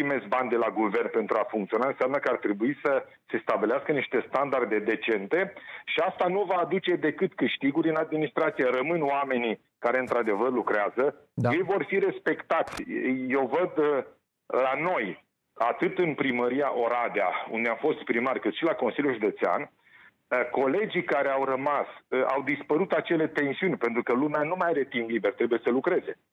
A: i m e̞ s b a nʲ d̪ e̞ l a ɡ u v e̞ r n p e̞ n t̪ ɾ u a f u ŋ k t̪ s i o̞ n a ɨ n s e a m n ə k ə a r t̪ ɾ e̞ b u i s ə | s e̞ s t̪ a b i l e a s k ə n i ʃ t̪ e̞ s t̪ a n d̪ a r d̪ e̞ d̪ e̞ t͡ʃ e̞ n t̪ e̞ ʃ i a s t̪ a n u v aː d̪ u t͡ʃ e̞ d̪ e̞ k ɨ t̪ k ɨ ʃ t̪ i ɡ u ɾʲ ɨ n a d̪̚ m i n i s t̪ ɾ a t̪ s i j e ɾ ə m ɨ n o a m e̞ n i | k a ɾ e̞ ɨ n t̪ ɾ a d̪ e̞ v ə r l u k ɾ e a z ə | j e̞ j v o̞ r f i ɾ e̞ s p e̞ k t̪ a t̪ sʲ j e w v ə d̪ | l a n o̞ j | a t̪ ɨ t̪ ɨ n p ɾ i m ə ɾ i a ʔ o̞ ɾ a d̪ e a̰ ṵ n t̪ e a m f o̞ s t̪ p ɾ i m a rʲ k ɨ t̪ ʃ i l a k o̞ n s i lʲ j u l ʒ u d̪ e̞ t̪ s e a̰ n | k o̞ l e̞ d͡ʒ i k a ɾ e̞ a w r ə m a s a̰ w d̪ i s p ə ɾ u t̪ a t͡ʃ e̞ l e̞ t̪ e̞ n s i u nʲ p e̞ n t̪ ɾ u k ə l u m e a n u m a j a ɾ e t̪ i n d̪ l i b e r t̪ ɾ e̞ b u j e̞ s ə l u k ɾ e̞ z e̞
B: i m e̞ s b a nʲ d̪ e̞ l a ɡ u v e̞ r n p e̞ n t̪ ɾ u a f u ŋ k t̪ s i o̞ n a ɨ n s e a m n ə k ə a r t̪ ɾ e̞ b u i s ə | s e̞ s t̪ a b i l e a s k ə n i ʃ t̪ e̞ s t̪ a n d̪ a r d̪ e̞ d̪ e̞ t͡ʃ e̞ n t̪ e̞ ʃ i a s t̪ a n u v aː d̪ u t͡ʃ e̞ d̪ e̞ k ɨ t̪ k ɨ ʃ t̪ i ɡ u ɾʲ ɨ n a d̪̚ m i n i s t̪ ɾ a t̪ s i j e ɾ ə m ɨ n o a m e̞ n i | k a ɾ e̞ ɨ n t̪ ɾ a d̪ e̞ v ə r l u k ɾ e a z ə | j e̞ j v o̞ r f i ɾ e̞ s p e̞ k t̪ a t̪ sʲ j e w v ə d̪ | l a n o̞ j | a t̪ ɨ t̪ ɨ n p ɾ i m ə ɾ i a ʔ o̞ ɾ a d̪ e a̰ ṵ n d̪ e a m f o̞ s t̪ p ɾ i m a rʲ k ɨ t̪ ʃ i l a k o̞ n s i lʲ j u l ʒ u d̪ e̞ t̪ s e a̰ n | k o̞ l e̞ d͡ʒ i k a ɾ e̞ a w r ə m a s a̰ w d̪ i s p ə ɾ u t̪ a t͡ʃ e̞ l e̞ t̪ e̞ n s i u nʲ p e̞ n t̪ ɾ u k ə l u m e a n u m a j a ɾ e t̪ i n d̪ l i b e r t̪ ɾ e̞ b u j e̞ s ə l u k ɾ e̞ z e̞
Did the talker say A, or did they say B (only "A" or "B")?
B